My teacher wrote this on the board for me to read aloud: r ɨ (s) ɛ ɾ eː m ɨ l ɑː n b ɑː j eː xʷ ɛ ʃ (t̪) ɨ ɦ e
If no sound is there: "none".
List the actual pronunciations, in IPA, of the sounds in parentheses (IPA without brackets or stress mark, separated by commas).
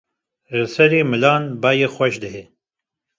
s, d̪